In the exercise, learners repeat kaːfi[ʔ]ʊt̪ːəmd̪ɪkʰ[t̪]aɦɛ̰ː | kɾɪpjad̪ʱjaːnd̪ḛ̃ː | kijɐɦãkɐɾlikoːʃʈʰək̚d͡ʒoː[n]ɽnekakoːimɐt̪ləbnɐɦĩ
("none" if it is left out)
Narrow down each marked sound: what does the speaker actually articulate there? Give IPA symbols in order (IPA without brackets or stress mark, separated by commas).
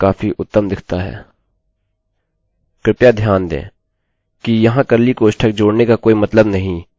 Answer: ʔ, t̪, none